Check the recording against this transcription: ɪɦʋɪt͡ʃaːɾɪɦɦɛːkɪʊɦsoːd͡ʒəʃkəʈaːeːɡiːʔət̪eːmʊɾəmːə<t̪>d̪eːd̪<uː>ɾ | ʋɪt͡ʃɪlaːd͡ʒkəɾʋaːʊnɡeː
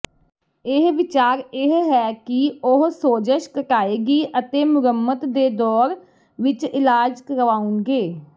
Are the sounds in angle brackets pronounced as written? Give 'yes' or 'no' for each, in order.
yes, no

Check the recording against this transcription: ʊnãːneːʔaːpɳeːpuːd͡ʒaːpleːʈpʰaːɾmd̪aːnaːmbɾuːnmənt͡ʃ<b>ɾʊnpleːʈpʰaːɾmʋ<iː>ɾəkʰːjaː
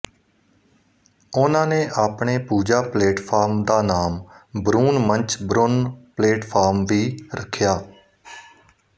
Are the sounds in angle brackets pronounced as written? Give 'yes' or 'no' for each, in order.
yes, yes

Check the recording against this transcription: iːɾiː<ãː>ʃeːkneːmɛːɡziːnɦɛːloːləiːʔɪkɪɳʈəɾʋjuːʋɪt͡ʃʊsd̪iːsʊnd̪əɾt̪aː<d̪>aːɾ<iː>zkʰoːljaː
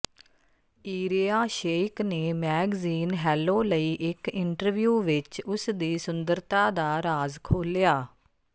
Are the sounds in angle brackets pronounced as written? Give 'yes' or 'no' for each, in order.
no, yes, no

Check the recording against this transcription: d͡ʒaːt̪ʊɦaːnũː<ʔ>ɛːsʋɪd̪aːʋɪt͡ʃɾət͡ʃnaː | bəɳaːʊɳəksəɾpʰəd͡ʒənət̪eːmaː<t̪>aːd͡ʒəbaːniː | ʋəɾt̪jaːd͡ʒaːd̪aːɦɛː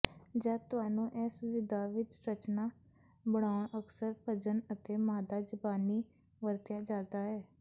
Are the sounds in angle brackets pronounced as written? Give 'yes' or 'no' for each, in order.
yes, no

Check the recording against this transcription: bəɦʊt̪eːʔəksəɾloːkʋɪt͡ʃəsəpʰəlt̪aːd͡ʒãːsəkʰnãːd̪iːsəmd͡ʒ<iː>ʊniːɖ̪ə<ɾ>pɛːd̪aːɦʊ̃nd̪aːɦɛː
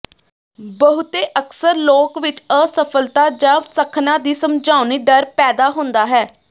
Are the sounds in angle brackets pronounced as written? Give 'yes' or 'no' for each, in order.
no, yes

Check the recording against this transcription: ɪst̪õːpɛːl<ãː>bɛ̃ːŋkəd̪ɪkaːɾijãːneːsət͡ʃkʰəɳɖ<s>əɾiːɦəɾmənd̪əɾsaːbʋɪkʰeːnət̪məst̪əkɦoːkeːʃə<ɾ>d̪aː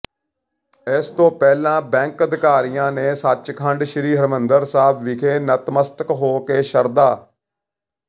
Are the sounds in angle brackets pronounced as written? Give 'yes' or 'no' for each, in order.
yes, no, yes

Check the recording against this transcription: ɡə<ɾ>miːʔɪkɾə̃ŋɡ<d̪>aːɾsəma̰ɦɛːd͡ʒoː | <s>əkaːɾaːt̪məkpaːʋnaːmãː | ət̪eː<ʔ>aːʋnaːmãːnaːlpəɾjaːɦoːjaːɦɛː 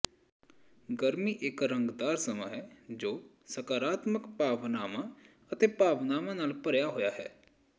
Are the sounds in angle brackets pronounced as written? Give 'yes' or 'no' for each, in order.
yes, yes, yes, no

